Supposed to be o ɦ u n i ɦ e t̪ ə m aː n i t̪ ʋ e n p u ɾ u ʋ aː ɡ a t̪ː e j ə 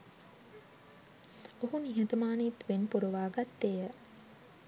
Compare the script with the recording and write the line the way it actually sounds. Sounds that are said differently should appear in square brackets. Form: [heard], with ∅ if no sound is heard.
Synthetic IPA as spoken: o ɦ u n i ɦ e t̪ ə m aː n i t̪ ʋ e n p u ɾ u ʋ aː ɡ a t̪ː e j ə